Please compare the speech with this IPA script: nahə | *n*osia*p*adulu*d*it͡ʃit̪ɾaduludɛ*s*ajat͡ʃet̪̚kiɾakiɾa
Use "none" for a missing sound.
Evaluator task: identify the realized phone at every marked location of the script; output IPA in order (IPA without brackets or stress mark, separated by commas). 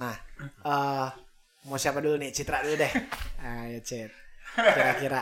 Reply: m, p, n, h